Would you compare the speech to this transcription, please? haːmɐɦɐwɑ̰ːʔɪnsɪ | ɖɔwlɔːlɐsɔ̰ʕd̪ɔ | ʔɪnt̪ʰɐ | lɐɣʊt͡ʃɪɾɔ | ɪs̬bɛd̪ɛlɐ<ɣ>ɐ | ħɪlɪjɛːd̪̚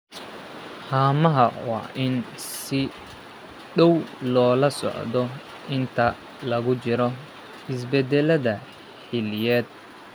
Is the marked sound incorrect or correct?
incorrect